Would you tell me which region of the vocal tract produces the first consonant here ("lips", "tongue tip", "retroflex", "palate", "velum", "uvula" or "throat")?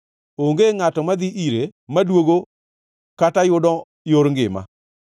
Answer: velum